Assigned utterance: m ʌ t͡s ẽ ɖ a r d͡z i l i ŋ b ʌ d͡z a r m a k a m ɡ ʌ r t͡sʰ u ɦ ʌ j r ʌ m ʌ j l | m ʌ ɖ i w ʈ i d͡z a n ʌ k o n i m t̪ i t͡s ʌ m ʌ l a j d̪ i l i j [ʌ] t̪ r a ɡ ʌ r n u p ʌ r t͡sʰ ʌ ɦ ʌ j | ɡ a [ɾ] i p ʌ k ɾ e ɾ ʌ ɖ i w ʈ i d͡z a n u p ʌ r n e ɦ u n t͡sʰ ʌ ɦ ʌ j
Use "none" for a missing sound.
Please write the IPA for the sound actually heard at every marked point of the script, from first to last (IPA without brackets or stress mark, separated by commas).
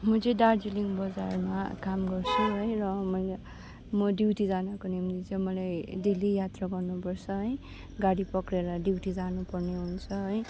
a, ɽ